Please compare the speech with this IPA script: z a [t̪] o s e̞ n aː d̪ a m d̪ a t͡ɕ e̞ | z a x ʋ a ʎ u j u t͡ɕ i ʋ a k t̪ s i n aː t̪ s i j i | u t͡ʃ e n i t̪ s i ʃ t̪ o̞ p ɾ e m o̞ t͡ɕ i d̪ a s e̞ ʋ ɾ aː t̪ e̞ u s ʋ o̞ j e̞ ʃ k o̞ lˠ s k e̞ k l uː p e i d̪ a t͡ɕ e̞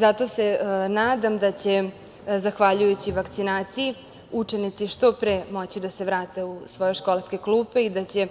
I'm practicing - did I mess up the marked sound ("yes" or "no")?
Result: no